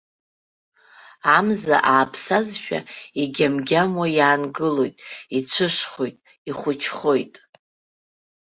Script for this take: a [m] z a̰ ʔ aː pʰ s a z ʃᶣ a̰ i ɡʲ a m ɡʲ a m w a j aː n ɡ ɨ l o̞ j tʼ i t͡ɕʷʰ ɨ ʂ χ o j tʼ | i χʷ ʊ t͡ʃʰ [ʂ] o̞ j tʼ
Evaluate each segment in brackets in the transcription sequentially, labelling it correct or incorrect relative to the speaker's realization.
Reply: correct, incorrect: χ

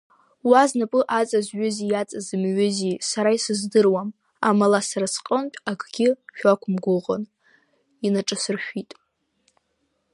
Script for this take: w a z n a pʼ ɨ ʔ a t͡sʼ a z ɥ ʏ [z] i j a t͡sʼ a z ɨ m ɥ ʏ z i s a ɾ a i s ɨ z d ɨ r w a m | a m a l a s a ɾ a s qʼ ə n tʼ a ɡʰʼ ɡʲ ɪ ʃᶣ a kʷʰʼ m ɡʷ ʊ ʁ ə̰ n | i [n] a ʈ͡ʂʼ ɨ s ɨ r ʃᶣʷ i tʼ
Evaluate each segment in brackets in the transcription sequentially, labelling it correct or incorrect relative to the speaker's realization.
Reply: correct, correct

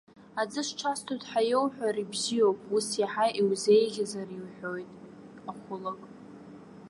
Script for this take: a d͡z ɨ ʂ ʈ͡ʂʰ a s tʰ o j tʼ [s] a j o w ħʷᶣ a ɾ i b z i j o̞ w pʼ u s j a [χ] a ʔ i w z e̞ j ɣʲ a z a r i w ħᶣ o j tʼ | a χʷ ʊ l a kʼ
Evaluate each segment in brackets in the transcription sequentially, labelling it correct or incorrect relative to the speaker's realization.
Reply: incorrect: ħ, incorrect: ħ

